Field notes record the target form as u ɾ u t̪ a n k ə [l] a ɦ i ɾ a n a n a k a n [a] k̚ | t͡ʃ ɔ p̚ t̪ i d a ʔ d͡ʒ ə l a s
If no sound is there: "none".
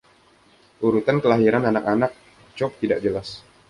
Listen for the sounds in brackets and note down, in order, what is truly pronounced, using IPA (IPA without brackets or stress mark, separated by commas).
l, a